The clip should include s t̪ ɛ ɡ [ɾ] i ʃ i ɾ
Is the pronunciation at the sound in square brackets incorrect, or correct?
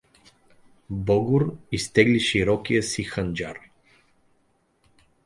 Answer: incorrect